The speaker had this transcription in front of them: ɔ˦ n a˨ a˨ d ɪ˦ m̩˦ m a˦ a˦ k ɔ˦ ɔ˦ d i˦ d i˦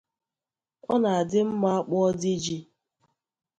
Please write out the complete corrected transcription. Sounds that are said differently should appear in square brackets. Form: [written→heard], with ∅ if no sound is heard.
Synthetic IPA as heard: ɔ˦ n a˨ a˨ d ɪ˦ m̩˦ m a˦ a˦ [k→k͡p] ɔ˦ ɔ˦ d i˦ [d→d͡ʒ] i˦